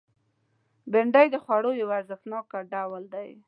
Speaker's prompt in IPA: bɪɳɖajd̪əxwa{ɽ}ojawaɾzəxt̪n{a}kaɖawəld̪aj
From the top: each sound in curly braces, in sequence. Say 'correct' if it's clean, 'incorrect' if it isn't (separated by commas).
correct, incorrect